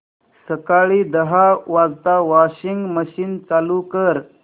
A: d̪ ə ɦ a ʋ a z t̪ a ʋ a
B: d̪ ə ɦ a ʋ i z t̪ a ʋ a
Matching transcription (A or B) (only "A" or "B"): A